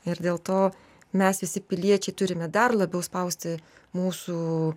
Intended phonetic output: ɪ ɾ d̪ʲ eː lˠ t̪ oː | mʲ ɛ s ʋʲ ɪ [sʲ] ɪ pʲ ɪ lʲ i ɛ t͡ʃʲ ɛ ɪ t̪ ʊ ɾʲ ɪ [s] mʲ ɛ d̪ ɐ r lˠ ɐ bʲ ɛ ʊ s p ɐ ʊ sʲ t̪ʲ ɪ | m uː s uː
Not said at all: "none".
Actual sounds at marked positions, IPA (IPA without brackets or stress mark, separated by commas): sʲ, none